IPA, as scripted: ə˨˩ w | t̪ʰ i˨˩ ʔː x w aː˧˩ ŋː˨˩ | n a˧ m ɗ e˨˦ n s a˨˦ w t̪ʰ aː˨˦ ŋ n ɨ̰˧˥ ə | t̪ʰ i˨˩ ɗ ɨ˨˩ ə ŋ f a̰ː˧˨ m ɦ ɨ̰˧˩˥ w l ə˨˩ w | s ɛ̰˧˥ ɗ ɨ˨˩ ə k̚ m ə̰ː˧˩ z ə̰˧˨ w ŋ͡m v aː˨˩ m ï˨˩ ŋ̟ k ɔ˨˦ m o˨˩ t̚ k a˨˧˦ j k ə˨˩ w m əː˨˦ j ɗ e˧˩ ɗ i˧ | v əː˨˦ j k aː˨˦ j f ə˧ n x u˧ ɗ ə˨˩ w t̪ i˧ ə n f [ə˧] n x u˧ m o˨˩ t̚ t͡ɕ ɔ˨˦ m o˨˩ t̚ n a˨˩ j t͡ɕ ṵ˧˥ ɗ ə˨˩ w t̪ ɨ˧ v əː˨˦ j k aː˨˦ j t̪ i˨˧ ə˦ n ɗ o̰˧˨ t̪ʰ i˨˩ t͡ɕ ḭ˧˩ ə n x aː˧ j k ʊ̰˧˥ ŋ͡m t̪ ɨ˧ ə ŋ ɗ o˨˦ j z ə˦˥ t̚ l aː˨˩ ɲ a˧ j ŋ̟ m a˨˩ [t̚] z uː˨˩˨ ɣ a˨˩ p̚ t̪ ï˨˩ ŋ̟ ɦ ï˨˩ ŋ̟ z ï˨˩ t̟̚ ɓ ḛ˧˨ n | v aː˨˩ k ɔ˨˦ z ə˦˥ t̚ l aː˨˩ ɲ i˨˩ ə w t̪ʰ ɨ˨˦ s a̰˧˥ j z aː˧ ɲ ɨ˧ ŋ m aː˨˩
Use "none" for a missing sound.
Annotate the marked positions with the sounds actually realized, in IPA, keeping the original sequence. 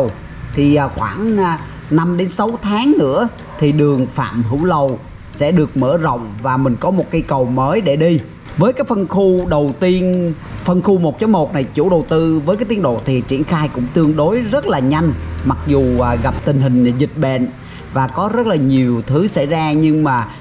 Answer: ə˧, k̚

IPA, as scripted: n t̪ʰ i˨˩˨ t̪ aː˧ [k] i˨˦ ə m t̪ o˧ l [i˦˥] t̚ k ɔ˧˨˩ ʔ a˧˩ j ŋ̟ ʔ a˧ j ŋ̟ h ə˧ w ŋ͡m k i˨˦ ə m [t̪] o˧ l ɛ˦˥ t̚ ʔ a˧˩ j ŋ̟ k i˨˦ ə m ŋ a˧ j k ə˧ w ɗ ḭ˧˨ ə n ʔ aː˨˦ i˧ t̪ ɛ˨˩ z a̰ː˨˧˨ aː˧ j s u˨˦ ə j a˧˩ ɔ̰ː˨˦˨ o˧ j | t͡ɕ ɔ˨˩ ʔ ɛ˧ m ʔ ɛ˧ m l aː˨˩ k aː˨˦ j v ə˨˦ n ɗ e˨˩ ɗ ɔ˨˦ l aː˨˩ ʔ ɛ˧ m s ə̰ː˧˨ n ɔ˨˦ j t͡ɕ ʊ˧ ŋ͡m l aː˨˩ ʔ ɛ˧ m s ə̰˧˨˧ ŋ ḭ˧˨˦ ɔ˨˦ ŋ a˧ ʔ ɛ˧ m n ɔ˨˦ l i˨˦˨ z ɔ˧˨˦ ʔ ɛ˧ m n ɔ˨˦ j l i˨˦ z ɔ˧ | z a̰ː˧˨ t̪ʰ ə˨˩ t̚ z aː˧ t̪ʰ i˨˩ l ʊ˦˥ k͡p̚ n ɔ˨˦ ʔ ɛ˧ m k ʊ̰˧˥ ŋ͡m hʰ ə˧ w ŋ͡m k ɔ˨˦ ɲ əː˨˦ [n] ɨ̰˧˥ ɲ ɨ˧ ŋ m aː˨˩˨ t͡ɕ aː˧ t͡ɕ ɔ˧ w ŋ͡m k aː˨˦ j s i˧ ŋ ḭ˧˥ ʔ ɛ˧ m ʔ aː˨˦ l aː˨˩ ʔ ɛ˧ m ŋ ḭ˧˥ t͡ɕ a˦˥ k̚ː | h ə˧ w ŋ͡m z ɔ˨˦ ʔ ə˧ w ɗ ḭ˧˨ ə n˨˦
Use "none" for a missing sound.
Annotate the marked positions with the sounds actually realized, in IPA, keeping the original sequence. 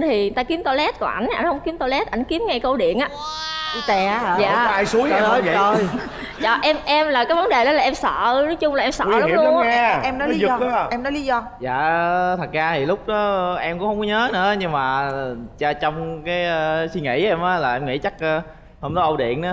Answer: k, ɛ˦˥, t̪, n

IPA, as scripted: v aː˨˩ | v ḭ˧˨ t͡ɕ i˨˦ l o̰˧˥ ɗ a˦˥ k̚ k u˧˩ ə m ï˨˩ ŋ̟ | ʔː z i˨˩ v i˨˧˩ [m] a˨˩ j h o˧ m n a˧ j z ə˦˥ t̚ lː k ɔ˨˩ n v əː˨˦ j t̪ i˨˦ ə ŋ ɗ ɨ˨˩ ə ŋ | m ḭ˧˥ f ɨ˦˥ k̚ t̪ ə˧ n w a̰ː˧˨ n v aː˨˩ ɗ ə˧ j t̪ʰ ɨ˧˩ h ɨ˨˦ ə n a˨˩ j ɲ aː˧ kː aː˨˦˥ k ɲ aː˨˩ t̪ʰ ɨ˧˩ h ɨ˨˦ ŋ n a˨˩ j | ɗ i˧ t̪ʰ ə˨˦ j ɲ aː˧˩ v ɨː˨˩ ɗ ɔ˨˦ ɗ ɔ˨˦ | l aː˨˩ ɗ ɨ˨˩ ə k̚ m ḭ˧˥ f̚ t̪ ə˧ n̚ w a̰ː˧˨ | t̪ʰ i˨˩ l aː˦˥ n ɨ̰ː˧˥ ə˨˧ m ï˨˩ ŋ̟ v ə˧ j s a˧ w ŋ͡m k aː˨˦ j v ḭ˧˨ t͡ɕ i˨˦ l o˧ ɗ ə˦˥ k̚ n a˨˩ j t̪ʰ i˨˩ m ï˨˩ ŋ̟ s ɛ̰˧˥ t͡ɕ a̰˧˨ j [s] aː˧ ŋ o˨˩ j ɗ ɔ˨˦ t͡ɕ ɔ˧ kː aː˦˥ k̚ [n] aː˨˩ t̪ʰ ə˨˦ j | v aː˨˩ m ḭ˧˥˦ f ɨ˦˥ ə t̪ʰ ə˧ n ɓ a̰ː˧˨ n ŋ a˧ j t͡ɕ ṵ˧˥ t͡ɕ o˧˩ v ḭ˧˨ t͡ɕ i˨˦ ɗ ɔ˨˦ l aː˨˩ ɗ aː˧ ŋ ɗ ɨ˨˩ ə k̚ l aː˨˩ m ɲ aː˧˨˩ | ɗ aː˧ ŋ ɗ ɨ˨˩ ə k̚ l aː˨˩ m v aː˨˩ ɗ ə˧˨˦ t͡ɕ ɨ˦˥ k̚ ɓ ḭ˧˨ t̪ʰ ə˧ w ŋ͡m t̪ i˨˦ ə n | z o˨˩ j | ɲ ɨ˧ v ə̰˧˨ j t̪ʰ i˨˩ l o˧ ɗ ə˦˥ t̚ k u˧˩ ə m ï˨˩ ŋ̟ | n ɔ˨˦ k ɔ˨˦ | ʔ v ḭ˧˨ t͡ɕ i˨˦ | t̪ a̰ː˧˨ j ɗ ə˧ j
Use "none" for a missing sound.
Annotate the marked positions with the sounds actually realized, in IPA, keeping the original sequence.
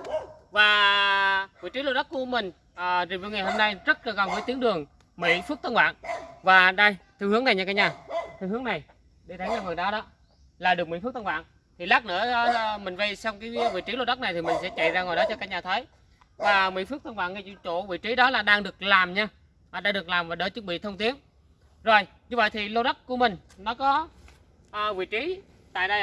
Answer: ŋ, z, ɲ

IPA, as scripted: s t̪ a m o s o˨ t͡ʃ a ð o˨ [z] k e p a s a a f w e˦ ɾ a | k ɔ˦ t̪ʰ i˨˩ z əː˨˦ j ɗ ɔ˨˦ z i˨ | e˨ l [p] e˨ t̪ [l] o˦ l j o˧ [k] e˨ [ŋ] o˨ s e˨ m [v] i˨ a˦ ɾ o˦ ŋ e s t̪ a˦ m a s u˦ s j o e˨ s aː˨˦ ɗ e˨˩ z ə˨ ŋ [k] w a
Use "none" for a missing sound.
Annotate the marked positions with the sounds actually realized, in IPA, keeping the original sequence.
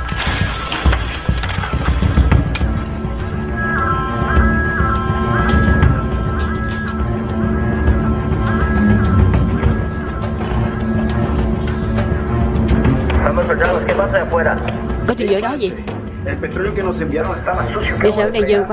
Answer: s, p, ɾ, k, n, b, k

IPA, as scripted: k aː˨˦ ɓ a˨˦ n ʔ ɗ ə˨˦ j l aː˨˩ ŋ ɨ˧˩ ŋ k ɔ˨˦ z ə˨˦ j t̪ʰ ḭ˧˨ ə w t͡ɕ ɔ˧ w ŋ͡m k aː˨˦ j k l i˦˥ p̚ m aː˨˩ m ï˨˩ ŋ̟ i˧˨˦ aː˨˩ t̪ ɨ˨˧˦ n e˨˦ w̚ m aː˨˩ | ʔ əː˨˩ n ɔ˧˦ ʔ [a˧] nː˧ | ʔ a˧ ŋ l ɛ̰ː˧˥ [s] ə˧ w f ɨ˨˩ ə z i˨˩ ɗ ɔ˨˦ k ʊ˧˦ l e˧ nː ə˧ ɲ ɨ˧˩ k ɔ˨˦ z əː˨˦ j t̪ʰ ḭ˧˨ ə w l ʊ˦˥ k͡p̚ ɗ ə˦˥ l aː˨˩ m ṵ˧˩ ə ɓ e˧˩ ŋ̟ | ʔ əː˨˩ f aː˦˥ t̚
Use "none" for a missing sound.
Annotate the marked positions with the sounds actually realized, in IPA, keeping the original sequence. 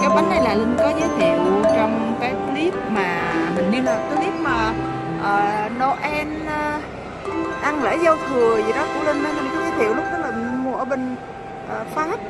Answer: ɛ˧, z

